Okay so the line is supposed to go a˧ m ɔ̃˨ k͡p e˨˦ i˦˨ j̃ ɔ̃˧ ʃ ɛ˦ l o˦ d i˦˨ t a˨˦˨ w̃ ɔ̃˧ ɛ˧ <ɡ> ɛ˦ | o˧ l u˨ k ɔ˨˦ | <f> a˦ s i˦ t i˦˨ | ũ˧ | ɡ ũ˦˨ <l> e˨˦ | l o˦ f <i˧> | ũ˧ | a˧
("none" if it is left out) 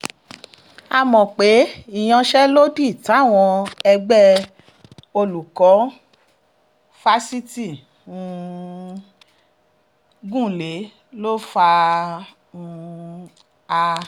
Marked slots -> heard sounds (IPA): ɡ͡b, f, l, a˧

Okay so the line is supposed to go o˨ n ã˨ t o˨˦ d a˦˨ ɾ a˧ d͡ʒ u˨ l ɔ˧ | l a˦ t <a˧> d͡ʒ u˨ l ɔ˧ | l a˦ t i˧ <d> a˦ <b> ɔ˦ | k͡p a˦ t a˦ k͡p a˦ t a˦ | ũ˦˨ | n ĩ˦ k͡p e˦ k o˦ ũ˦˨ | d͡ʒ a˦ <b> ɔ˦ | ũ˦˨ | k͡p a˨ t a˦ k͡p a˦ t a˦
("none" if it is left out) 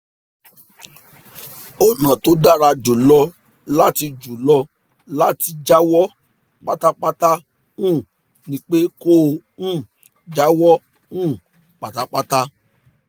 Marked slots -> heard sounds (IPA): i˧, d͡ʒ, w, w

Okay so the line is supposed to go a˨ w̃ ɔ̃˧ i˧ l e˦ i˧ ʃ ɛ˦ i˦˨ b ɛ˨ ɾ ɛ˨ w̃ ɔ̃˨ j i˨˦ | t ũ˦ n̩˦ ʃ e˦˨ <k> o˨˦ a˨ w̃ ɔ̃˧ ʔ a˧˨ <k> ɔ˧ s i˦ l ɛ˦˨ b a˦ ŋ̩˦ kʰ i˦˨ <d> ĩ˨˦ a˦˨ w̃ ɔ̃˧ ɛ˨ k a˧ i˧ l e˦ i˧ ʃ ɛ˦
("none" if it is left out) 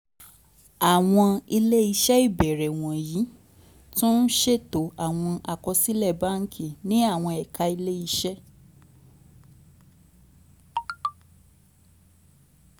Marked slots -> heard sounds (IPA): t, k, n

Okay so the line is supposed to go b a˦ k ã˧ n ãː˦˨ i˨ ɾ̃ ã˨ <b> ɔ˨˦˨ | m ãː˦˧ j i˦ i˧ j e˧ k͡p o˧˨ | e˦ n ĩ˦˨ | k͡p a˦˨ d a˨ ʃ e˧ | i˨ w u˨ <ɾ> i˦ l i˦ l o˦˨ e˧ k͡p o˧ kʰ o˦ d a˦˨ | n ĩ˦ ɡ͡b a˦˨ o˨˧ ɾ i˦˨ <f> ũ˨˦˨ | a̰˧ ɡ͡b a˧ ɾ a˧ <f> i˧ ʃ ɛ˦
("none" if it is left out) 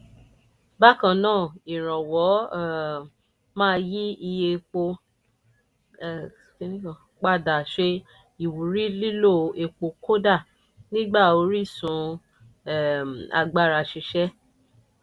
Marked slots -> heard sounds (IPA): w, ɾ, s, ʃ

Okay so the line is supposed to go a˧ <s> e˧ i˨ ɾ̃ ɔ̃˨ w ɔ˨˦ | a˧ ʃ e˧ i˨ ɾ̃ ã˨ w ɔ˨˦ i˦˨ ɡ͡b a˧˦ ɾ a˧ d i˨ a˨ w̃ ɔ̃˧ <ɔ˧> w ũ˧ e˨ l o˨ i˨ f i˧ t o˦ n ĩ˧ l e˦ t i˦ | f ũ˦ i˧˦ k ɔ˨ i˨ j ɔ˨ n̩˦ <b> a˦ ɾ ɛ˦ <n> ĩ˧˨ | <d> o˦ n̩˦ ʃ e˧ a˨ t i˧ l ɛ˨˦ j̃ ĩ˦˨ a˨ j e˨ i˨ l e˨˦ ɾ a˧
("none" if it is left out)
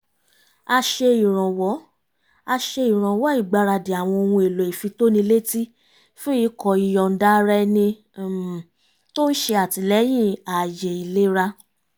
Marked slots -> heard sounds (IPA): ʃ, o˧, d, n, t

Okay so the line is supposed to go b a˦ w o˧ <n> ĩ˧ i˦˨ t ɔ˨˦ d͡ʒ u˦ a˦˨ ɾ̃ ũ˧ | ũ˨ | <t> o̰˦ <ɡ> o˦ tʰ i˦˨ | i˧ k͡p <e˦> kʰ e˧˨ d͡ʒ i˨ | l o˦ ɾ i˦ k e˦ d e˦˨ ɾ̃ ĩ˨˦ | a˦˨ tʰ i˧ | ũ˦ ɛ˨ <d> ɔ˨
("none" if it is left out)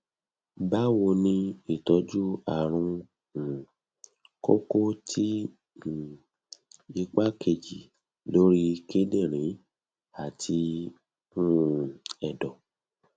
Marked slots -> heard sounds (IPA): n, k, k, a˦, d

